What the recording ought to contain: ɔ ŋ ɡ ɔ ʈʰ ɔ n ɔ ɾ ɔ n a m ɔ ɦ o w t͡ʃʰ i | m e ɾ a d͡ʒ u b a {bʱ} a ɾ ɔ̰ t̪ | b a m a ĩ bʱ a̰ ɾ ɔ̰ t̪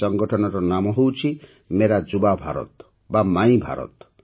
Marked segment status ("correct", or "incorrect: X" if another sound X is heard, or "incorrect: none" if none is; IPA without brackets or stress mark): correct